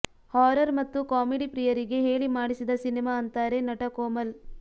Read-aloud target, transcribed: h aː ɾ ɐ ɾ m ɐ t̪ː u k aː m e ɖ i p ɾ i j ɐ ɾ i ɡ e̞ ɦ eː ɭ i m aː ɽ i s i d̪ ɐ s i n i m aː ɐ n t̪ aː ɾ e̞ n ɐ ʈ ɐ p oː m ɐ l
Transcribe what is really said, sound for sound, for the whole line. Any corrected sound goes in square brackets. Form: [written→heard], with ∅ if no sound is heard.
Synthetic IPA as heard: h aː ɾ ɐ ɾ m ɐ t̪ː u k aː m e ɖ i p ɾ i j ɐ ɾ i ɡ e̞ ɦ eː ɭ i m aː ɽ i s i d̪ ɐ s i n i m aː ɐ n t̪ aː ɾ e̞ n ɐ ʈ ɐ [p→k] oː m ɐ l